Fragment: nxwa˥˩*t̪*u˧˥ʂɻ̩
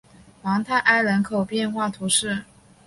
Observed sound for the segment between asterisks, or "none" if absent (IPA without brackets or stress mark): t̪ʰ